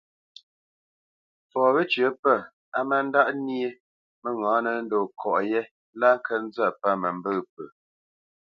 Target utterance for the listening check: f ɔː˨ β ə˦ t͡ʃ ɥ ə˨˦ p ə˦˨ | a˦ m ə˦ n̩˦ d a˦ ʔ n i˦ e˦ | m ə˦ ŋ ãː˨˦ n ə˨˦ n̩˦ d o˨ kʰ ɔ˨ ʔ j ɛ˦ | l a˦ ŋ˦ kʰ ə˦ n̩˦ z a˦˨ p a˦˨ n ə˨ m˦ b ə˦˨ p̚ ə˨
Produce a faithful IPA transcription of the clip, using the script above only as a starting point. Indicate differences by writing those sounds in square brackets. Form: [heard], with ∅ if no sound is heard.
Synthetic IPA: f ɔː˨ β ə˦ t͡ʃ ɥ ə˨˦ p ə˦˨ | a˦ m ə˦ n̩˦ d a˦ ʔ n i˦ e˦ | m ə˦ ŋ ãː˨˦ n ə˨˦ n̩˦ d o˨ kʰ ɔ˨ ʔ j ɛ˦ | l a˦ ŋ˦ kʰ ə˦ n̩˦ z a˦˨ p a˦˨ [m] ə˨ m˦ b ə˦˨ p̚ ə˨